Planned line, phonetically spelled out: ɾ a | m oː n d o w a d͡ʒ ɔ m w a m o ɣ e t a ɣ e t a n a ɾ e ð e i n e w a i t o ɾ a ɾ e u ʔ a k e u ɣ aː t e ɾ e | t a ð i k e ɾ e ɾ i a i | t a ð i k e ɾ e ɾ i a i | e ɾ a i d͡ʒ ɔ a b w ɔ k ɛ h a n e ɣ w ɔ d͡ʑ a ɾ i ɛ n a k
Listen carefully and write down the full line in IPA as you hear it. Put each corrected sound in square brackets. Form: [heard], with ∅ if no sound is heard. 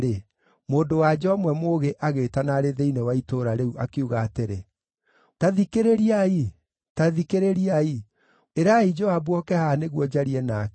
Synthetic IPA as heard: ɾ [e] | m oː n d o w a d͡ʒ ɔ m w [ɛ] m o ɣ e [ʔ] a ɣ e t a n a ɾ e ð e i n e w a i t o ɾ a ɾ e u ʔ a k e u ɣ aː t e ɾ e | t a ð i k e ɾ e ɾ i a i | t a ð i k e ɾ e ɾ i a i | e ɾ a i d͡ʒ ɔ a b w ɔ k ɛ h a n e ɣ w ɔ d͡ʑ a ɾ i ɛ n a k